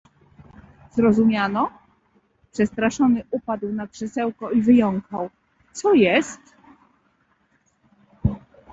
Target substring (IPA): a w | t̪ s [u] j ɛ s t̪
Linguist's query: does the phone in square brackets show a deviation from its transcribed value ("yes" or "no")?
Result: yes